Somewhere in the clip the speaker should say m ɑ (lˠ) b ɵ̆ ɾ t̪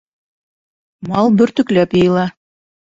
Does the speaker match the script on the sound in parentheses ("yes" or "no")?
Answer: yes